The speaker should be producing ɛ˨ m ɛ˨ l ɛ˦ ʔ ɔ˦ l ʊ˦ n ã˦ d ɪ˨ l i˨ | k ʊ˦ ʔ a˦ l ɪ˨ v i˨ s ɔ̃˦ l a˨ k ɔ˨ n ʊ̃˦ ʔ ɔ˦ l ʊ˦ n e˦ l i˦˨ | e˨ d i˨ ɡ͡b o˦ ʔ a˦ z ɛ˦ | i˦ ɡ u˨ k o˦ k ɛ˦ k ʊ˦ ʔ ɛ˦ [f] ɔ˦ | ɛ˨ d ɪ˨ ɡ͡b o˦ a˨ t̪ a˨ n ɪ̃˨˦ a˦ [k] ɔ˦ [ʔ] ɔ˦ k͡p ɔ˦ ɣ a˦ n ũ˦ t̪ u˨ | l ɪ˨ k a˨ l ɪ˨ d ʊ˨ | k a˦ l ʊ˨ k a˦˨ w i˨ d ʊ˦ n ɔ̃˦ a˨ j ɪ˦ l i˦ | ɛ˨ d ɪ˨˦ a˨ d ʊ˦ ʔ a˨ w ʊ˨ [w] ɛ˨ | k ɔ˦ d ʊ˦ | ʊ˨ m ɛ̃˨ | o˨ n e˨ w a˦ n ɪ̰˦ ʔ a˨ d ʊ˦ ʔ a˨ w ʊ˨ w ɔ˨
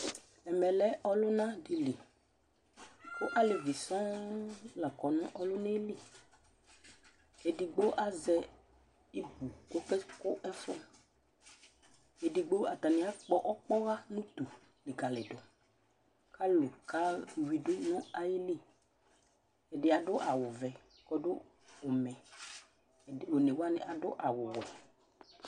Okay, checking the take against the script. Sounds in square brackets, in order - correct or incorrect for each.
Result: correct, incorrect: k͡p, correct, incorrect: v

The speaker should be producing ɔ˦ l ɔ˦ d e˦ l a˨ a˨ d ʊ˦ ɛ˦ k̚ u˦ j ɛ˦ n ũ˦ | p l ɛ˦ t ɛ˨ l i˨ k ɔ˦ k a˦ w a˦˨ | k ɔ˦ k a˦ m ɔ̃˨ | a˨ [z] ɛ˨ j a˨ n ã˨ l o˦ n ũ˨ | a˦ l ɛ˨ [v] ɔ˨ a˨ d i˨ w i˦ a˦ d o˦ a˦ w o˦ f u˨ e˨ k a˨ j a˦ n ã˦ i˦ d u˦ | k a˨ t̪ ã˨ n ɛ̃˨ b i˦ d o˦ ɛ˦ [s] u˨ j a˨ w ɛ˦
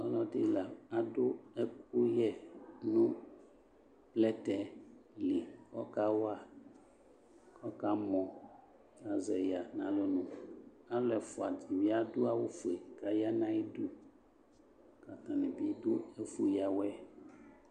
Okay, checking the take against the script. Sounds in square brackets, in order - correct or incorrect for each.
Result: correct, incorrect: f, incorrect: f

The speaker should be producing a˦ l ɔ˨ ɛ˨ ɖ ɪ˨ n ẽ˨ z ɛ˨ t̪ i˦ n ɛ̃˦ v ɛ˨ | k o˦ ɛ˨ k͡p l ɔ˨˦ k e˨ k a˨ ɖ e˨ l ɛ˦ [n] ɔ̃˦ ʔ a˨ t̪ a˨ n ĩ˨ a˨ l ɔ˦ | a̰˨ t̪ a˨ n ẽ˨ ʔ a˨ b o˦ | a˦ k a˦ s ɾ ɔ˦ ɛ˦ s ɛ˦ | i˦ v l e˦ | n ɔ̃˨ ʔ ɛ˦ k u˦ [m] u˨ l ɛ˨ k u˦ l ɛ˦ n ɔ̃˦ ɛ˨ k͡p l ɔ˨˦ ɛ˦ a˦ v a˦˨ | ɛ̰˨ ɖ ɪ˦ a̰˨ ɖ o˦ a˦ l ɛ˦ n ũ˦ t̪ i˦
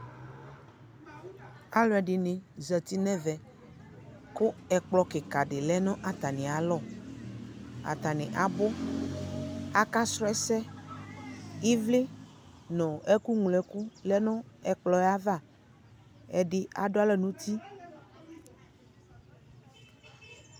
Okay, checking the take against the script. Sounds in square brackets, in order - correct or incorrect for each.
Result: correct, incorrect: ŋ

